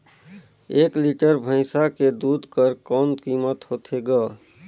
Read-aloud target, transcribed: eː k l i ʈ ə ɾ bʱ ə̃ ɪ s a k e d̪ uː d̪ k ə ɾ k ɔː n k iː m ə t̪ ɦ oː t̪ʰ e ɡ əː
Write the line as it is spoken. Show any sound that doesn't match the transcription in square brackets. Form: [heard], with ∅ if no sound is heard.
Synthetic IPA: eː k l i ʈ ə ɾ bʱ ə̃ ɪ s a k e d̪ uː d̪ k ə ɾ k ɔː n k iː m ə t̪ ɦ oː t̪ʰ e ɡ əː